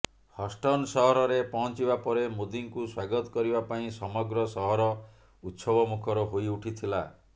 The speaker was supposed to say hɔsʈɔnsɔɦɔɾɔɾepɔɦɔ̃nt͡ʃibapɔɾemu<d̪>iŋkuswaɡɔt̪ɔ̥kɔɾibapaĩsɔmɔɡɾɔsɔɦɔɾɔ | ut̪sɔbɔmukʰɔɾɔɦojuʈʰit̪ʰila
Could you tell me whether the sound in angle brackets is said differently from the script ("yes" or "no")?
no